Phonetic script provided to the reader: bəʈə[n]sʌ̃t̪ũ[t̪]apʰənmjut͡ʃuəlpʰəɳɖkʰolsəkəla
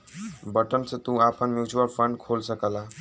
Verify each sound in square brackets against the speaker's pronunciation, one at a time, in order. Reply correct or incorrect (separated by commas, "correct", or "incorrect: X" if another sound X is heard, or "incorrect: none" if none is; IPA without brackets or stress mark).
correct, incorrect: none